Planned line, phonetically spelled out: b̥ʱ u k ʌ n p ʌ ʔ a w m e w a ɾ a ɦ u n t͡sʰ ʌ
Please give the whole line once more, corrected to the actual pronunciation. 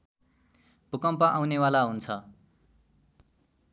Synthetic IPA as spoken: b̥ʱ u k ʌ m p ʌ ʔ a w n e w a l a ɦ u n t͡sʰ ʌ